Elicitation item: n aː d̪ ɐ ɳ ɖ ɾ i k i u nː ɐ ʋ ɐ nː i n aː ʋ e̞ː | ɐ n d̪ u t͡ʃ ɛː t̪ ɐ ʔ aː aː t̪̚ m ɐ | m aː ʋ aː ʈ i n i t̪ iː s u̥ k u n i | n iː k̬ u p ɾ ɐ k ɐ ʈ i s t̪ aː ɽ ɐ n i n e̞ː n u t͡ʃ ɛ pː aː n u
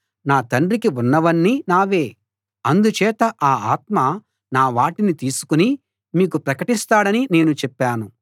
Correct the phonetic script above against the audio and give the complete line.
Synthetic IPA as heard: n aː t̪ ɐ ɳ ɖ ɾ i k i u nː ɐ ʋ ɐ nː i n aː ʋ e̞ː | ɐ n d̪ u t͡ʃ ɛː t̪ ɐ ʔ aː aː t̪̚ m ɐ | n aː ʋ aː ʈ i n i t̪ iː s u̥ k u n i | m iː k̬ u p ɾ ɐ k ɐ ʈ i s t̪ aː ɽ ɐ n i n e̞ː n u t͡ʃ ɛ pː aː n u